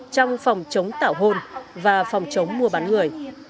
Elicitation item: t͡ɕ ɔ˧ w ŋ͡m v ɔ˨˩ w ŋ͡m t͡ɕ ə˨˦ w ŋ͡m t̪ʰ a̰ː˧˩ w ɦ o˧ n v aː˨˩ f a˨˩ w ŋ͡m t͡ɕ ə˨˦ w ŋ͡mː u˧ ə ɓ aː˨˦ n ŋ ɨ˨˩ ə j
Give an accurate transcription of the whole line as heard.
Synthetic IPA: t͡ɕ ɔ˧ w ŋ͡m f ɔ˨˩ w ŋ͡m t͡ɕ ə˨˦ w ŋ͡m t̪ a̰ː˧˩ w ɦ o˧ n v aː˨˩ f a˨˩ w ŋ͡m t͡ɕ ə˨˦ w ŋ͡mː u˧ ə ɓ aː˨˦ n ŋ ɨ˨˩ ə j

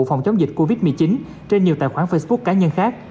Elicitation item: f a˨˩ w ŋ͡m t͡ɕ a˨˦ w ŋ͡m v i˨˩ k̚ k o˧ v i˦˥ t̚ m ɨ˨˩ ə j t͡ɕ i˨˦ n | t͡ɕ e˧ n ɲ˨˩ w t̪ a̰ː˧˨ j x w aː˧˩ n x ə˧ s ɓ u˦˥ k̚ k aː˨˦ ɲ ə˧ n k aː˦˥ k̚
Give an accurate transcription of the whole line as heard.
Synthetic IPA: f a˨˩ w ŋ͡m t͡ɕ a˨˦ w ŋ͡m z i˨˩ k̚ k o˧ v i˦˥ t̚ m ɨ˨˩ ə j t͡ɕ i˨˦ n | t͡ɕ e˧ n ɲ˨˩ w t̪ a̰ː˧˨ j x w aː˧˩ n f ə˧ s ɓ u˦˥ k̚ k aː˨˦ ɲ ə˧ n x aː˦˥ k̚

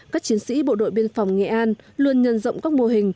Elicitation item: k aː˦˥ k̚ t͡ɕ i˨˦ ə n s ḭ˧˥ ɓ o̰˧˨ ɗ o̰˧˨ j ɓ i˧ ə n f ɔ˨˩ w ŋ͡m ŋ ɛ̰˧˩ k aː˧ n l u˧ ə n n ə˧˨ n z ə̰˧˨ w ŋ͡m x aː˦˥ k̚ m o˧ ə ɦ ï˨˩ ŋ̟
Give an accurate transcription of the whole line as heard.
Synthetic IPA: k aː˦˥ k̚ t͡ɕ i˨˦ ə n s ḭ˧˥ ɓ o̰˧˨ ɗ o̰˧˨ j ɓ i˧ ə n f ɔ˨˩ w ŋ͡m ŋ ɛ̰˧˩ ʔ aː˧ n l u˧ ə n ɲ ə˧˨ n z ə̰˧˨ w ŋ͡m k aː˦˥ k̚ m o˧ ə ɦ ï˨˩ ŋ̟

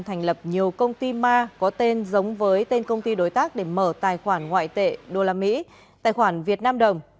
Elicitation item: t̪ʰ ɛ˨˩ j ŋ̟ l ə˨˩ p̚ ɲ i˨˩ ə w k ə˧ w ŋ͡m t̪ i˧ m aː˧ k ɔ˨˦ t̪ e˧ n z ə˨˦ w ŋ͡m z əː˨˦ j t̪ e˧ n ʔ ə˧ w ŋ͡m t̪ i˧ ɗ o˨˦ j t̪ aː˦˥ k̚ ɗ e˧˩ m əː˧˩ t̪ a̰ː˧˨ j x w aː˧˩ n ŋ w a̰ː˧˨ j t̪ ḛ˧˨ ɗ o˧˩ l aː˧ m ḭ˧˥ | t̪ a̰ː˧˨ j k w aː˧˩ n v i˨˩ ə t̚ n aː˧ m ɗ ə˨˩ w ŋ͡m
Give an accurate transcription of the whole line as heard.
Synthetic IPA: t̪ʰ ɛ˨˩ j ŋ̟ l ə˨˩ p̚ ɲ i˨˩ ə w k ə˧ w ŋ͡m t̪ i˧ m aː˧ k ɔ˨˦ t̪ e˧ n z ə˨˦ w ŋ͡m v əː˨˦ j t̪ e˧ n k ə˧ w ŋ͡m t̪ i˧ ɗ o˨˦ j t̪ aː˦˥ k̚ ɗ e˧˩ m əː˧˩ t̪ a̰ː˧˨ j x w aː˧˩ n ŋ w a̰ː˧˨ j t̪ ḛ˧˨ ɗ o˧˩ l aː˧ m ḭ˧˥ | t̪ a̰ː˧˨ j x w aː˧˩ n v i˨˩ ə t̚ n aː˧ m ɗ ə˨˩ w ŋ͡m

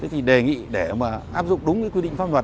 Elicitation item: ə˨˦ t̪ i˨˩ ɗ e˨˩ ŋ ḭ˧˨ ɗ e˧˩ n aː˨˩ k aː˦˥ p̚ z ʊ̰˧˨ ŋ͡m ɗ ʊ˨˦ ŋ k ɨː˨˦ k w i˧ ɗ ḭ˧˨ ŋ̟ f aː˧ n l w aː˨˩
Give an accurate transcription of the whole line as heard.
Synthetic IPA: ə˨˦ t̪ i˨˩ ɗ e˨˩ ŋ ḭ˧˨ ɗ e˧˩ m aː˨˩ ʔ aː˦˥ p̚ z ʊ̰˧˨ ŋ͡m ɗ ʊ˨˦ ŋ͡m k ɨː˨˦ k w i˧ ɗ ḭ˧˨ ŋ̟ f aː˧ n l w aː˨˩

